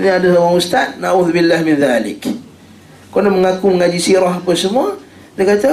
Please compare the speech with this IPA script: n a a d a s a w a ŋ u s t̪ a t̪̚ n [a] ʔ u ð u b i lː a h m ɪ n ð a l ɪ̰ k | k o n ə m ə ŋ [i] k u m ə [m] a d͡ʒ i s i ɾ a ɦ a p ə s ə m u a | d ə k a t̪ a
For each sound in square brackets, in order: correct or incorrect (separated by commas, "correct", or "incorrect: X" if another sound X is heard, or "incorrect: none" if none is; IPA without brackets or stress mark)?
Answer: correct, incorrect: a, incorrect: ŋ